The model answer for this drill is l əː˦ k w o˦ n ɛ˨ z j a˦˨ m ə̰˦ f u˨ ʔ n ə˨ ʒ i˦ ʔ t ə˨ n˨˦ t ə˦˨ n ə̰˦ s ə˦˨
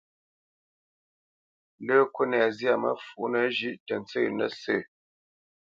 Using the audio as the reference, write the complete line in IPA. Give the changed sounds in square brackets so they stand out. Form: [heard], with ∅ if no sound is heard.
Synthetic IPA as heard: l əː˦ k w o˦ n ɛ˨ z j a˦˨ m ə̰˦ f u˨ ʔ n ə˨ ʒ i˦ ʔ t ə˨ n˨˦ [t͡s] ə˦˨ n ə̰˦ s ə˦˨